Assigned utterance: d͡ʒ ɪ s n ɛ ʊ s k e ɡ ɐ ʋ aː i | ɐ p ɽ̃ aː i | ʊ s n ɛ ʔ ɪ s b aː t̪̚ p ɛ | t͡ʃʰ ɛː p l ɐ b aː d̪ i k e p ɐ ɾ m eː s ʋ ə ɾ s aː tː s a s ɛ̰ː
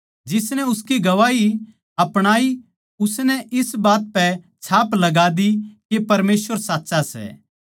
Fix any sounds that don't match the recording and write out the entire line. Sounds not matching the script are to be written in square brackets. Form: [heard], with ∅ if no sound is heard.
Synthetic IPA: d͡ʒ ɪ s n ɛ ʊ s k [i] ɡ ɐ ʋ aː i | ɐ p ɽ̃ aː i | ʊ s n ɛ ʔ ɪ s b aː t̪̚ p ɛ | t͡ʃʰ [aː] p l ɐ [ɡ] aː d̪ i k e p ɐ ɾ m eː s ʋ ə ɾ s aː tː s a s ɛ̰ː